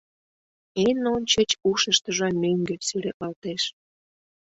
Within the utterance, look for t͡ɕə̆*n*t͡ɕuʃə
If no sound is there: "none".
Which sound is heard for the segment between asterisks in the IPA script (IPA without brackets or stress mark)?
none